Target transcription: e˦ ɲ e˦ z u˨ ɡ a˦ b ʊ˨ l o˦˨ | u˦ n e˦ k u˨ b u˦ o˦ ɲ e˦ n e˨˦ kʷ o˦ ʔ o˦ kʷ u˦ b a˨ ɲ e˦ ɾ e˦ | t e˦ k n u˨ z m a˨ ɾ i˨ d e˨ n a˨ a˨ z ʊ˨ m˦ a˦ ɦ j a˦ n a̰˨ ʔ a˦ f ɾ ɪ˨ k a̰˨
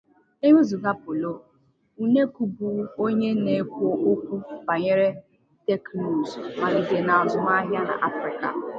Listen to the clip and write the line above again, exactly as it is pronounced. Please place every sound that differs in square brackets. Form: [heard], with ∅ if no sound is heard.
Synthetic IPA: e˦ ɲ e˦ z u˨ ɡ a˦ [p] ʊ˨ l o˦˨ | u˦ n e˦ k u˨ b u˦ o˦ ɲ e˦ n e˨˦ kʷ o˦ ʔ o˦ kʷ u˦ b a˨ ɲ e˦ ɾ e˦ | t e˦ k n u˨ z m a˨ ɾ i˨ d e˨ n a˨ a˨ z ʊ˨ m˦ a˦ ɦ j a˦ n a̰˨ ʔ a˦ f ɾ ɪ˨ k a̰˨